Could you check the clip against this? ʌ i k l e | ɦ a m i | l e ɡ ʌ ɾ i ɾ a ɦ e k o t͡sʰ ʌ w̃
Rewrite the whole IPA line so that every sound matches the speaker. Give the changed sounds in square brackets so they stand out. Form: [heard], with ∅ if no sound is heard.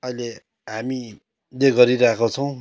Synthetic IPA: ʌ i [∅] l e | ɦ a m i | l e ɡ ʌ ɾ i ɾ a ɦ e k o t͡sʰ ʌ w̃

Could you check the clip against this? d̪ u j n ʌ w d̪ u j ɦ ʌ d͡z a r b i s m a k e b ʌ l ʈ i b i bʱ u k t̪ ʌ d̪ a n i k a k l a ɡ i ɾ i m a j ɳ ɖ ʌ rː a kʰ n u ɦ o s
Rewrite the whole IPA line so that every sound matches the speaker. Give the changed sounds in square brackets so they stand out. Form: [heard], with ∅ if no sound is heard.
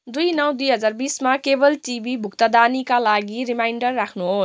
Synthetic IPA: d̪ u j n ʌ w d̪ u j ɦ ʌ d͡z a r b i s m a k e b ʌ l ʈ i b i bʱ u k t̪ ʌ d̪ a n i k a [∅] l a ɡ i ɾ i m a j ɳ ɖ ʌ rː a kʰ n u ɦ o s

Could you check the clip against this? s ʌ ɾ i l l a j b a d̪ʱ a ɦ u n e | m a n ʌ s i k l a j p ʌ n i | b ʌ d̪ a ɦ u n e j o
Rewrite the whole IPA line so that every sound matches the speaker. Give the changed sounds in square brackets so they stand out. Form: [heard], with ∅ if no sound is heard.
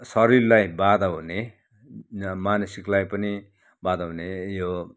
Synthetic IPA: s ʌ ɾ i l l a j b a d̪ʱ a ɦ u n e | m a n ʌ s i k l a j p ʌ n i | b [a] d̪ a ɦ u n e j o

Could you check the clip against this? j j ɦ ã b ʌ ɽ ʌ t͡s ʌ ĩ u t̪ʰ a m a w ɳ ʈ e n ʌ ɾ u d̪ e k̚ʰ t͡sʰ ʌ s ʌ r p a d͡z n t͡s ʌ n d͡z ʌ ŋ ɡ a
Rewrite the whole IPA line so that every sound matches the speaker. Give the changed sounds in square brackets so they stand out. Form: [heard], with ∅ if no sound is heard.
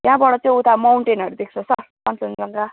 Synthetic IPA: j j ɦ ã b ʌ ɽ ʌ t͡s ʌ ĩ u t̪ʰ a m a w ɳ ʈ e n ʌ ɾ u d̪ e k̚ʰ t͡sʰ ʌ s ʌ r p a [∅] n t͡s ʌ n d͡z ʌ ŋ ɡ a

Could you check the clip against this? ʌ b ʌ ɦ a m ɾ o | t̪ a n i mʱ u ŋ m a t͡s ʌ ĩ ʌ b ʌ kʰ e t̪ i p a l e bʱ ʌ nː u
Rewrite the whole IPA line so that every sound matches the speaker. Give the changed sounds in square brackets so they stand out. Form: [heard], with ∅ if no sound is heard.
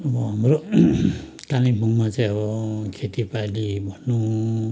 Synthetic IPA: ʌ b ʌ ɦ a m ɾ o | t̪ a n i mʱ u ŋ m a t͡s [a] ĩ ʌ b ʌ kʰ e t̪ i p a l [i] bʱ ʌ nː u

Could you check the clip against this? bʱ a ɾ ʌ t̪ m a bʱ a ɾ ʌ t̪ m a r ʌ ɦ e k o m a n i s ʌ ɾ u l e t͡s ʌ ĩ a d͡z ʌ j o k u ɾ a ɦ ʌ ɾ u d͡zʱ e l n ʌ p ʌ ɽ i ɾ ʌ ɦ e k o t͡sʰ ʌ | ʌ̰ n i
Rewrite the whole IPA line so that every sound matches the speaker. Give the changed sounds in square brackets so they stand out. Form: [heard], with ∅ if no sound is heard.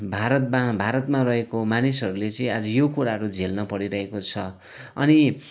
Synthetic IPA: bʱ a ɾ ʌ t̪ m a bʱ a ɾ ʌ t̪ m a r ʌ ɦ e k o m a n i s ʌ ɾ u l e t͡s ʌ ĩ a d͡z ʌ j o k u ɾ a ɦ ʌ ɾ u d͡zʱ e l n ʌ p ʌ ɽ i ɾ ʌ ɦ e k o t͡sʰ ʌ | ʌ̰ n i

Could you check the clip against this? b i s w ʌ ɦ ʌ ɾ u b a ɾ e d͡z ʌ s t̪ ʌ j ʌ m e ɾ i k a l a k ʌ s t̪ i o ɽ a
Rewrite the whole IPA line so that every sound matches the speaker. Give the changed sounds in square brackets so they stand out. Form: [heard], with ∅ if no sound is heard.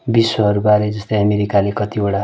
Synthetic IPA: b i s w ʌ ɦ ʌ ɾ u b a ɾ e d͡z ʌ s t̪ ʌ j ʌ m e ɾ i k a l [e] k ʌ [∅] t̪ i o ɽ a

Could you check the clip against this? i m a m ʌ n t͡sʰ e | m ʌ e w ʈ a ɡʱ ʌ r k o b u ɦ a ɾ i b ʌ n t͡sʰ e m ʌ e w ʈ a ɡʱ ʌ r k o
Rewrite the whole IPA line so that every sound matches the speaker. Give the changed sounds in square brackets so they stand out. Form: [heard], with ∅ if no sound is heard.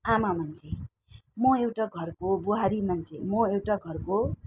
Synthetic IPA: [a] m a m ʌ n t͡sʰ e | m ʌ e w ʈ a ɡʱ ʌ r k o b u ɦ a ɾ i [m] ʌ n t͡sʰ e m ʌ e w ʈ a ɡʱ ʌ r k o

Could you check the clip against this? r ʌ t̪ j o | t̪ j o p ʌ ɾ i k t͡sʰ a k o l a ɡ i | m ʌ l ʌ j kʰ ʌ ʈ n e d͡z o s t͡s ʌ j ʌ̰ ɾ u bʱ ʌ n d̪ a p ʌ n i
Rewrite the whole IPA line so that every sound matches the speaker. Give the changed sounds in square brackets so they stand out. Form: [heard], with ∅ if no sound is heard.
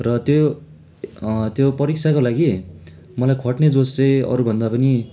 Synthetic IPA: r ʌ t̪ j o | t̪ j o p ʌ ɾ i k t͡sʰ a k o l a ɡ i | m ʌ l [a] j kʰ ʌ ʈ n e d͡z o s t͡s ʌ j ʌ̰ ɾ u bʱ ʌ n d̪ a p ʌ n i

